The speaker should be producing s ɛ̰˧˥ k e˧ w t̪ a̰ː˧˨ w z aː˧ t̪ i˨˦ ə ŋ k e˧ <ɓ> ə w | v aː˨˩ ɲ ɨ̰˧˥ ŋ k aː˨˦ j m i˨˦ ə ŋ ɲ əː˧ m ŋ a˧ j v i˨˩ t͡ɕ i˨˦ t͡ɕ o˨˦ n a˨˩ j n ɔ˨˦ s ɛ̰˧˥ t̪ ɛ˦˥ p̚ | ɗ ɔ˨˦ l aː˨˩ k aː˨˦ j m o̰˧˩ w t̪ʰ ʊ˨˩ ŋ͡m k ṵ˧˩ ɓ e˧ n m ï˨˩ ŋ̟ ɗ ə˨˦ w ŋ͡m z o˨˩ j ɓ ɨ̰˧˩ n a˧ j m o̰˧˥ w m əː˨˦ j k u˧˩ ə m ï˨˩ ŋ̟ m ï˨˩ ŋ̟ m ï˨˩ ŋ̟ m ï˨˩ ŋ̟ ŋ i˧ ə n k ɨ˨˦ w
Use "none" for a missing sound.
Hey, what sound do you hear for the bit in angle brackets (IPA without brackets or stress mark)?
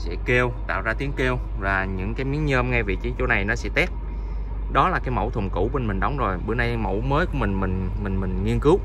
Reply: none